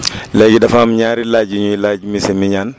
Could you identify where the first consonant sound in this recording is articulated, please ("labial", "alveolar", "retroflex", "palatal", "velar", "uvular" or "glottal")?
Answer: alveolar